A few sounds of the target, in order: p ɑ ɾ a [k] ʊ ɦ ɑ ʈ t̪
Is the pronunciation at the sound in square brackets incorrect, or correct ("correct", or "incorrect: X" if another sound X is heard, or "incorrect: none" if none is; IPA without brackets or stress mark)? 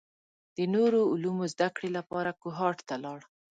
correct